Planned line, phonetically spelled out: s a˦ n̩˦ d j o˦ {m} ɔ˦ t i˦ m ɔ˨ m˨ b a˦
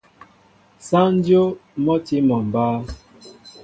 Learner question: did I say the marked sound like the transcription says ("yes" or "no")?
yes